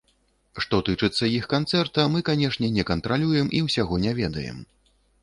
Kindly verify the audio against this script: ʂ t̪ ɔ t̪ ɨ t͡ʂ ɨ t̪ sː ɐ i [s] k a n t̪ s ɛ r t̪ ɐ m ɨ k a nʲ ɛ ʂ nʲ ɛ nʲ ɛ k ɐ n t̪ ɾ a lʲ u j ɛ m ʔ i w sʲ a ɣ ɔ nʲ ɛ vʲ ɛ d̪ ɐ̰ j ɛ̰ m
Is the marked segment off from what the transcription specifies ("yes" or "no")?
yes